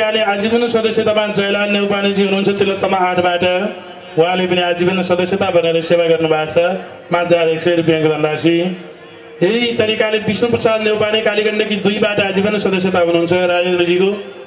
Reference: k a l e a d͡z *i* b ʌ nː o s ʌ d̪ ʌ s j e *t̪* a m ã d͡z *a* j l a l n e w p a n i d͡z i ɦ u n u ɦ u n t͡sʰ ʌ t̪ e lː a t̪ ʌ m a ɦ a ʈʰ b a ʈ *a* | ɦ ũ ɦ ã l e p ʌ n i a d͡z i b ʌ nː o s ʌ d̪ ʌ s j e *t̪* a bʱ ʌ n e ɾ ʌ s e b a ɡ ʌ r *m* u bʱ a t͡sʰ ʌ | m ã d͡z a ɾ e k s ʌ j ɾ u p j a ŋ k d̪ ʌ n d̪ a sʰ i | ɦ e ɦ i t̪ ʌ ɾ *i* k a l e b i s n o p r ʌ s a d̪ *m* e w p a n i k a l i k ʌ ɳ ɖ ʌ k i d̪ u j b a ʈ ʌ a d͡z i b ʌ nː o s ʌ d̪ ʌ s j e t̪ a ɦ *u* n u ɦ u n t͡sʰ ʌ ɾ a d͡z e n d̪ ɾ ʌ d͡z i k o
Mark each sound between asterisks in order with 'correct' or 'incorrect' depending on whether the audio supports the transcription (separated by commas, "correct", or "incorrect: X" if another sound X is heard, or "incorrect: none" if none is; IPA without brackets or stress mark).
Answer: correct, correct, incorrect: ʌ, incorrect: ʌ, correct, incorrect: n, correct, incorrect: n, correct